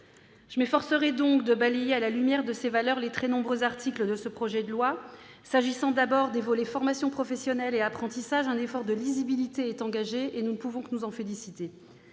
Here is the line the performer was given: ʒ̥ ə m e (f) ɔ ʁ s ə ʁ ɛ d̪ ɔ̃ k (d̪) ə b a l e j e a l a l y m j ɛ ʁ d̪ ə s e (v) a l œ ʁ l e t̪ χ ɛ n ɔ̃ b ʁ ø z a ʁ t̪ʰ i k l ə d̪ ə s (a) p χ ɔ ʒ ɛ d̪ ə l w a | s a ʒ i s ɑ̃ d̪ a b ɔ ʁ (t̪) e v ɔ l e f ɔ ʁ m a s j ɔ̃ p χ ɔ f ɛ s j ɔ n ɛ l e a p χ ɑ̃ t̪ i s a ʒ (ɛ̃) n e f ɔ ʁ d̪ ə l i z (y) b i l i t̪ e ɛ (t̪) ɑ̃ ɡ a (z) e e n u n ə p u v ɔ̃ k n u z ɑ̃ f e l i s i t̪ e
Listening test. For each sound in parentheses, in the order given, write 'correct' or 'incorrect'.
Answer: correct, correct, correct, incorrect: ə, incorrect: d̪, correct, incorrect: i, correct, incorrect: ʒ

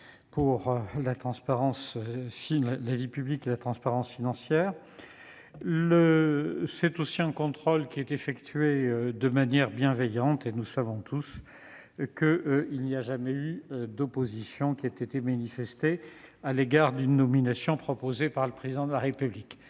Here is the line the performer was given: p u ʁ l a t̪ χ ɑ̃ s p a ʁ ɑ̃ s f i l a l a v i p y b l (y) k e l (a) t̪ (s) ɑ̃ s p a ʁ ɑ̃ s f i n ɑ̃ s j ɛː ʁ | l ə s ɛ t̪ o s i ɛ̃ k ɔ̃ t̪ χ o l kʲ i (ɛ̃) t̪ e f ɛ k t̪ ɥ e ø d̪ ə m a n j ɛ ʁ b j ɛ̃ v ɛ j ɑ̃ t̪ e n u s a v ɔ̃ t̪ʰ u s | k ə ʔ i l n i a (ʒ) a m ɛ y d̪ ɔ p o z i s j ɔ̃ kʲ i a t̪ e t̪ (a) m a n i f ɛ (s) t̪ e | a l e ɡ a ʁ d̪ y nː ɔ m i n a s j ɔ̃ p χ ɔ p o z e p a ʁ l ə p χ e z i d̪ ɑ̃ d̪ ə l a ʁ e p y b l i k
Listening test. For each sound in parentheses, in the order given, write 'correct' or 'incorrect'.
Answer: incorrect: i, correct, incorrect: χ, incorrect: ɛ, correct, incorrect: e, correct

